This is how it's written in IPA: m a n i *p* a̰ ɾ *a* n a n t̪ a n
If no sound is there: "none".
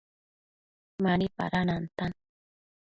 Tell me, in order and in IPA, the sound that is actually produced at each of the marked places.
p, a

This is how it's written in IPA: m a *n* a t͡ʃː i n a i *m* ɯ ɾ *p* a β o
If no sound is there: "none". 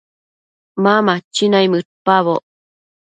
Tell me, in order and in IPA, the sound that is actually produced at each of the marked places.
m, m, p

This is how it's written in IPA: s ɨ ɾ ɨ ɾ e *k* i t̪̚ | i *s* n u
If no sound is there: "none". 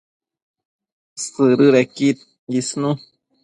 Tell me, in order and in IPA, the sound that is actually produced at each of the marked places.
k, s

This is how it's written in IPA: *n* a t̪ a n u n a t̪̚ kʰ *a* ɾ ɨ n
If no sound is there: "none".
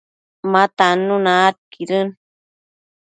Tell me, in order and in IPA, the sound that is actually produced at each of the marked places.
m, i

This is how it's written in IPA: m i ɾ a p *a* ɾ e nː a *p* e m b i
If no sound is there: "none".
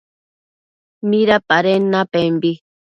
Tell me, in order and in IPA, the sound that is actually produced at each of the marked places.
a, p

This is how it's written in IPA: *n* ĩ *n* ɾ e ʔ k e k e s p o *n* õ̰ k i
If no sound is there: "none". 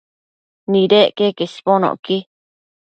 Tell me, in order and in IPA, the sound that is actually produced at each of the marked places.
n, none, n

